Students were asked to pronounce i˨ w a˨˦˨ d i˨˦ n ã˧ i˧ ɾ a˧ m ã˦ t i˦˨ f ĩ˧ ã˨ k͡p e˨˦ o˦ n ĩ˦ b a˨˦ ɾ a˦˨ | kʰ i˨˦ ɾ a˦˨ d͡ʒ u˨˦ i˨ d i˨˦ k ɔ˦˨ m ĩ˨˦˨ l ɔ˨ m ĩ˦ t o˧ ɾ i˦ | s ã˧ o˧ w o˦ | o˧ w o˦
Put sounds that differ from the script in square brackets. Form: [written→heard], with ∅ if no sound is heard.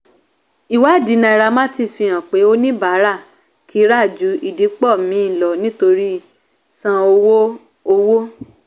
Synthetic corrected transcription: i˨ w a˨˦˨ d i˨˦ n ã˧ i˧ ɾ a˧ m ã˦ t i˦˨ f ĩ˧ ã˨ k͡p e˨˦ o˦ n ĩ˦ b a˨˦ ɾ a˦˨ | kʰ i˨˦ ɾ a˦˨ d͡ʒ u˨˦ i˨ d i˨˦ [k→k͡p] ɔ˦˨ m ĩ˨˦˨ l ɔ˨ [m→n] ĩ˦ t o˧ ɾ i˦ | s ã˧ o˧ w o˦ | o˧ w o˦